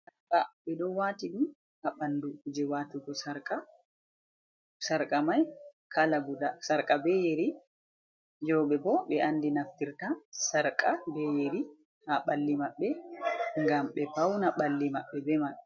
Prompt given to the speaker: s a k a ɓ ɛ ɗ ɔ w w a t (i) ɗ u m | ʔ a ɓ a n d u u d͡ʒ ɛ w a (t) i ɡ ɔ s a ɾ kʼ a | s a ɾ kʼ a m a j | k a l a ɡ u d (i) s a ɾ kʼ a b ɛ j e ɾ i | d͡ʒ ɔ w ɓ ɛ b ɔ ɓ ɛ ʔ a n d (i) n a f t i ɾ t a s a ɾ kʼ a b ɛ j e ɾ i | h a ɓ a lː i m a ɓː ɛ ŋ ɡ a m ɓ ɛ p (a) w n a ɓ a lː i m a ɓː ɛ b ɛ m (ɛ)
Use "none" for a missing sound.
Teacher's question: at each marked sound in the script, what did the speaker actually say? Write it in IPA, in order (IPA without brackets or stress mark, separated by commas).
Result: i, t, a, i, a, a